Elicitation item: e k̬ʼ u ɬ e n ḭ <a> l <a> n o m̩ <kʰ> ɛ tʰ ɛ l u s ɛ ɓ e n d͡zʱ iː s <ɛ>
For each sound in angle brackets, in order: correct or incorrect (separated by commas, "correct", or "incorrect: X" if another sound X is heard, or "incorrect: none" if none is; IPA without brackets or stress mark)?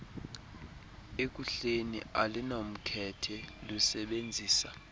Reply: correct, incorrect: i, correct, incorrect: a